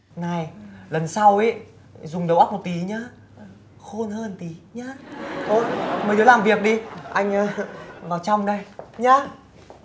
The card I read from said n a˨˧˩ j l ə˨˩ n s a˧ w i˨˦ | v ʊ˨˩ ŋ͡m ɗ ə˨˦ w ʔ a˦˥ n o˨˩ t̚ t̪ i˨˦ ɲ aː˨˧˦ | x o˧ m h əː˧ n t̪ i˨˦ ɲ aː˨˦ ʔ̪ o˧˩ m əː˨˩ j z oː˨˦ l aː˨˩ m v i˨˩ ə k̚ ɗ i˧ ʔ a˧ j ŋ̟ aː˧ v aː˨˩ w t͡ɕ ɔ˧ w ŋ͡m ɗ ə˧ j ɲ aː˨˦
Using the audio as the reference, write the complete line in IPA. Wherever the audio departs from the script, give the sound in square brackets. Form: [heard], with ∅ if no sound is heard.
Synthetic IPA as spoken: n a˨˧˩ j l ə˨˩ n s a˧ w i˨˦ | [z] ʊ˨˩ ŋ͡m ɗ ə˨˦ w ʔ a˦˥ [m] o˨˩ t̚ t̪ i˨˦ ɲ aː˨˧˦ | x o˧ [n] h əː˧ n t̪ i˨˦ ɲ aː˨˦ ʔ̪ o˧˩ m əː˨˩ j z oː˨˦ l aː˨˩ m v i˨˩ ə k̚ ɗ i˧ ʔ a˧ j ŋ̟ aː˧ v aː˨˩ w t͡ɕ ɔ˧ w ŋ͡m ɗ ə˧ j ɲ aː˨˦